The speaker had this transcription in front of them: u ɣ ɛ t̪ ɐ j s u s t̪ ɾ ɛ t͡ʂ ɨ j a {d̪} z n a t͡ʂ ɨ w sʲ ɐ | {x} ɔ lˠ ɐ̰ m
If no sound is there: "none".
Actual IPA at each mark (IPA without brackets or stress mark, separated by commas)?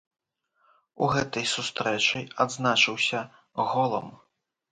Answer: d̪, ɣ